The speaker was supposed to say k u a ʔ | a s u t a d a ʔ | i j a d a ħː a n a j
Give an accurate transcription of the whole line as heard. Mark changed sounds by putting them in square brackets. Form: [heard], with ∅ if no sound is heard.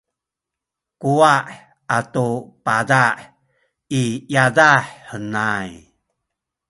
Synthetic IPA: k u a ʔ | a [t] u [p] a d a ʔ | i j a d a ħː [ə] n a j